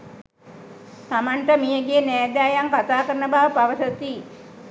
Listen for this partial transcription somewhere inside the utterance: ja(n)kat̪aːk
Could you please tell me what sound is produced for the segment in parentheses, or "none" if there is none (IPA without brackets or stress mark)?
ŋ